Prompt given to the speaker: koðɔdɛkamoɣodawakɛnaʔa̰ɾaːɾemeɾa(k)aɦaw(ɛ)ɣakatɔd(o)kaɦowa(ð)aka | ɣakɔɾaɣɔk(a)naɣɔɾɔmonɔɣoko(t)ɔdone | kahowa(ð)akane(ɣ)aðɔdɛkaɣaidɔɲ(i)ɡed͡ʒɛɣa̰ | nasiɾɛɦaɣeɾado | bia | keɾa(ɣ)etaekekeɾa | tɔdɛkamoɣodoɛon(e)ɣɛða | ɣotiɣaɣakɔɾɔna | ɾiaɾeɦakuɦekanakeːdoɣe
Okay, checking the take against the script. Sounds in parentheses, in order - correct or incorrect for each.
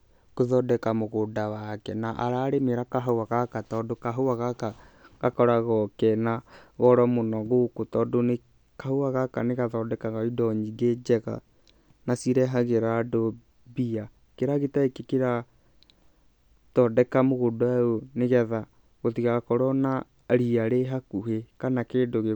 correct, incorrect, correct, incorrect, incorrect, correct, incorrect, correct, correct, correct, correct

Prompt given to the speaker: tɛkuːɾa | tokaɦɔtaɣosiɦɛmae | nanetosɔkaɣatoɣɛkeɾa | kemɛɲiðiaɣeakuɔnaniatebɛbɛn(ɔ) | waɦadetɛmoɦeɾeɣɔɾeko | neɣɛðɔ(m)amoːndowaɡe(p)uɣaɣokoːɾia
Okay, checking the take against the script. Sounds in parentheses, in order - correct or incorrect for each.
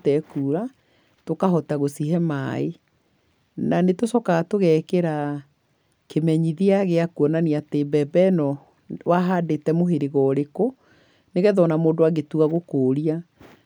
correct, incorrect, incorrect

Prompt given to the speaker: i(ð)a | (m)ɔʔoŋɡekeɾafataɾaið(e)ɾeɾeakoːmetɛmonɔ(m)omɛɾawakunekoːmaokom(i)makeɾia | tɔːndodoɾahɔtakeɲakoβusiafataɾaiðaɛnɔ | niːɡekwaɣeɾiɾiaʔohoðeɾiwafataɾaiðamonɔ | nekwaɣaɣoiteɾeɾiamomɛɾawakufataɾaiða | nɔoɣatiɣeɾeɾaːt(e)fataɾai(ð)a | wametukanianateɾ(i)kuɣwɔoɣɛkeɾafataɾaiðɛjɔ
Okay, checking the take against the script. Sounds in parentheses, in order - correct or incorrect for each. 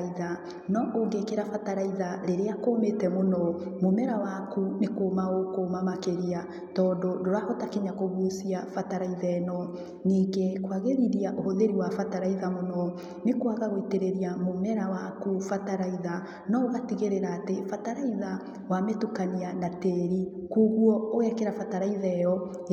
correct, incorrect, incorrect, correct, incorrect, correct, correct, correct

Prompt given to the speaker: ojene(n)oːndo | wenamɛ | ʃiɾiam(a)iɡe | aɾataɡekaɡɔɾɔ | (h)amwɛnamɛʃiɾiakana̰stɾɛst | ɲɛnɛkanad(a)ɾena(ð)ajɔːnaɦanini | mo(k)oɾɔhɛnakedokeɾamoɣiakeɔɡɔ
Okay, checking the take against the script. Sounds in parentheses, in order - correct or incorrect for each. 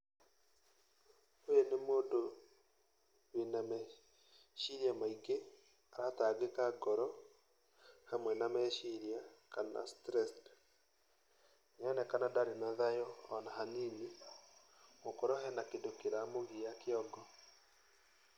incorrect, correct, correct, correct, correct, correct

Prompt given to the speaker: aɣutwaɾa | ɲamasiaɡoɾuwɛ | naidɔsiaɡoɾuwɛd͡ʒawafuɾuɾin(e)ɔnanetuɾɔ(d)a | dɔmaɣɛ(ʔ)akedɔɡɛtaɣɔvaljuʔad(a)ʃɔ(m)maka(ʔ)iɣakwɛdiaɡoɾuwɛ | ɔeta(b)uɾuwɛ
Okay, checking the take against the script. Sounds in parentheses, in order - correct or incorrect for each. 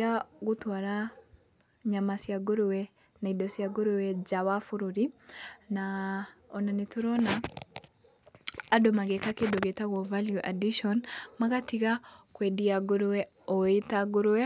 incorrect, incorrect, incorrect, incorrect, incorrect, incorrect, incorrect

